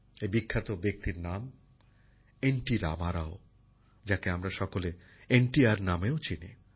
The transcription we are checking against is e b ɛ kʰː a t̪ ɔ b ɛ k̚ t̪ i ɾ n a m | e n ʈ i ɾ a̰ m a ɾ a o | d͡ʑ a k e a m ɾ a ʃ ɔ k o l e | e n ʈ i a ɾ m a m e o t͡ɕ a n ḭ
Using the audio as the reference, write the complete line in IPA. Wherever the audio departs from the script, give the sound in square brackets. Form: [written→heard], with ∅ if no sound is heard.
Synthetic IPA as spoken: e b [ɛ→i] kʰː a t̪ [ɔ→o] b [ɛ→e] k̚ t̪ i ɾ n a m | e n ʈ i ɾ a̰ m a ɾ a o | d͡ʑ a k e a m ɾ a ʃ ɔ k o l e | e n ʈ i a ɾ [m→n] a m e o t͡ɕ [a→i] n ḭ